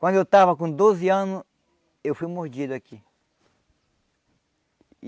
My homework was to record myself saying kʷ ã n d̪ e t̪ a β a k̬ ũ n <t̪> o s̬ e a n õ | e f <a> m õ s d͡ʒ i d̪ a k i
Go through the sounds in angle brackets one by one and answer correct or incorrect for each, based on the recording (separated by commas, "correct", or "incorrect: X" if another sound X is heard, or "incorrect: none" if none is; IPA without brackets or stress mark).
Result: incorrect: d̪, incorrect: i